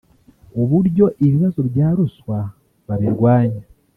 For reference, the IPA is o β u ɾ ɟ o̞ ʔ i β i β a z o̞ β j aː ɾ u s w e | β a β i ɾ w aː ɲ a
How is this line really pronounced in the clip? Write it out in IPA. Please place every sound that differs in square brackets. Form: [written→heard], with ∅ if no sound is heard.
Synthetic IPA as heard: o β u ɾ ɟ o̞ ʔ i β i β a z o̞ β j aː ɾ u s w [e→a] | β a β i ɾ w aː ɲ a